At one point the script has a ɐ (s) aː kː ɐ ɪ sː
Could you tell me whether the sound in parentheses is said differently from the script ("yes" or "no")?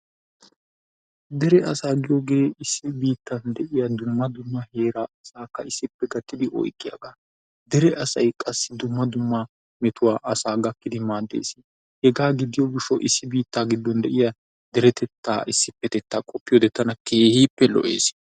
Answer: no